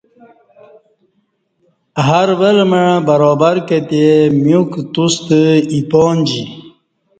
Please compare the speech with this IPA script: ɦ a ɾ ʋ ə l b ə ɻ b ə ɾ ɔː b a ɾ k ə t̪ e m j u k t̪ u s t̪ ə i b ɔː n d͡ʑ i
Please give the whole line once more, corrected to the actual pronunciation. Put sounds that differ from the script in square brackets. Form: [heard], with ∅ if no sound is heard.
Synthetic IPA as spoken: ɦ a ɾ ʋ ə l [m] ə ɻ b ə ɾ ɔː b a ɾ k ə t̪ e m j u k t̪ u s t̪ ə i [p] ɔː n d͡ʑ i